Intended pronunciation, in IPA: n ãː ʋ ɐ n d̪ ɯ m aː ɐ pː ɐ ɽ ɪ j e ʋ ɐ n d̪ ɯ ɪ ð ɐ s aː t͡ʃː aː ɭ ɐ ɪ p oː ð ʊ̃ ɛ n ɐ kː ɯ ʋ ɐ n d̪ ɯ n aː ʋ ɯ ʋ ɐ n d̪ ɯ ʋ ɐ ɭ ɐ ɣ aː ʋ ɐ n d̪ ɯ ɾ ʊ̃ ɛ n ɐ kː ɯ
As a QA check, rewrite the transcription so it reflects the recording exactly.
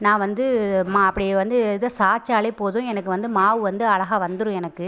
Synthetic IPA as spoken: n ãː ʋ ɐ n d̪ ɯ m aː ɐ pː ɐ ɽ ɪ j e ʋ ɐ n d̪ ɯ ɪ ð ɐ s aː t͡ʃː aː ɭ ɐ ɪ p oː ð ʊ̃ ɛ n ɐ kː ɯ ʋ ɐ n d̪ ɯ m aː ʋ ɯ ʋ ɐ n d̪ ɯ ɐ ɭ ɐ ɣ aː ʋ ɐ n d̪ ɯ ɾ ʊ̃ ɛ n ɐ kː ɯ